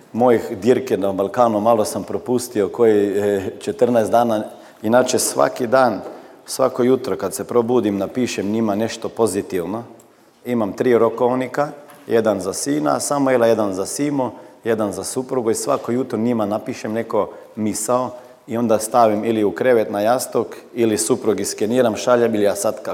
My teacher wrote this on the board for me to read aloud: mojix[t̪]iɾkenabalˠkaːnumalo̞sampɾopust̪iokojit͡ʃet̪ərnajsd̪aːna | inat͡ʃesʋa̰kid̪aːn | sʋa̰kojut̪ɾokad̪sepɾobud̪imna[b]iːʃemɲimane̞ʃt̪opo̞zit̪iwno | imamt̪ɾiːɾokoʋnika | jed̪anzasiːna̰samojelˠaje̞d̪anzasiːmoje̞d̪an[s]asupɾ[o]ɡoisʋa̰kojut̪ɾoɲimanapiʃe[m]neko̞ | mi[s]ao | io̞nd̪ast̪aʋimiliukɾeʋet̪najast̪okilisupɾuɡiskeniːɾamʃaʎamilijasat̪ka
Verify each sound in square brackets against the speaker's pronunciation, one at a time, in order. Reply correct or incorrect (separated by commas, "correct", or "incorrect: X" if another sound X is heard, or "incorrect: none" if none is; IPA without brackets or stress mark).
incorrect: d̪, incorrect: p, incorrect: z, incorrect: u, correct, correct